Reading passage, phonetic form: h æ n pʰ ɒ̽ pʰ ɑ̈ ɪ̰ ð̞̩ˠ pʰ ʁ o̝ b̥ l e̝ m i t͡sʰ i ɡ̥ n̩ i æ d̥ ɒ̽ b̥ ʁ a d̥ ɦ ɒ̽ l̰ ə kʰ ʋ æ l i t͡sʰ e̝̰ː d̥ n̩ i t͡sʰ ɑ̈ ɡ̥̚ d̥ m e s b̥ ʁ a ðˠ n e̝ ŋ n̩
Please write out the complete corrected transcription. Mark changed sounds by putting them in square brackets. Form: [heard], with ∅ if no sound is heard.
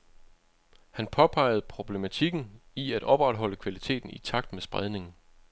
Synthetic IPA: h æ n pʰ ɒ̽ pʰ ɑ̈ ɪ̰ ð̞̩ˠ pʰ ʁ o̝ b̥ l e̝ m [æ] t͡sʰ i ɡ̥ n̩ i æ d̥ ɒ̽ b̥ ʁ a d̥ ɦ ɒ̽ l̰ ə kʰ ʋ æ l i t͡sʰ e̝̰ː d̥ n̩ i t͡sʰ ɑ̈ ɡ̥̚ d̥ m e s b̥ ʁ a ðˠ n e̝ ŋ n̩